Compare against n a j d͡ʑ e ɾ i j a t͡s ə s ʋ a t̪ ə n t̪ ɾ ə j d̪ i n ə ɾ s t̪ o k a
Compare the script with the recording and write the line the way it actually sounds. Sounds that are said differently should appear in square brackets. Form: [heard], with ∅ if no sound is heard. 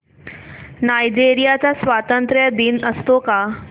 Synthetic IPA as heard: n a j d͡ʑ e ɾ i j a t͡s [a] s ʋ a t̪ ə n t̪ ɾ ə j d̪ i n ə [∅] s t̪ o k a